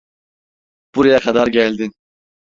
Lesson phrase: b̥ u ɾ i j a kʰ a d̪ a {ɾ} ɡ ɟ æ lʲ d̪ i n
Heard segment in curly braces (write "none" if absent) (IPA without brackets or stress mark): ɾ